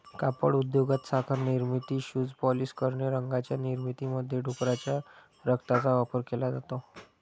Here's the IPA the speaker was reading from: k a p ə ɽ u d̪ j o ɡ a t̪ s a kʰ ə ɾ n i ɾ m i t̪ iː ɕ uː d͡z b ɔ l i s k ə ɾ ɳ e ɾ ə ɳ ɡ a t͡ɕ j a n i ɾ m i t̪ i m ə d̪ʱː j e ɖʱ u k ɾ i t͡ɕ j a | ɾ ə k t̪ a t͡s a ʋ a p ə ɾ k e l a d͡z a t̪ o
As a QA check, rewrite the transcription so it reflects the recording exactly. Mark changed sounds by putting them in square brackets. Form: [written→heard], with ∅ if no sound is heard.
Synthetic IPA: k a p ə ɽ u d̪ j o ɡ a t̪ s a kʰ ə ɾ n i ɾ m i t̪ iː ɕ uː d͡z [b→p] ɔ l i s k ə ɾ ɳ e ɾ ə [ɳ→ŋ] ɡ a t͡ɕ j a n i ɾ m i t̪ i m ə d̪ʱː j e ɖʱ u k ɾ [i→a] t͡ɕ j a | ɾ ə k t̪ a t͡s a ʋ a p ə ɾ k e l a d͡z a t̪ o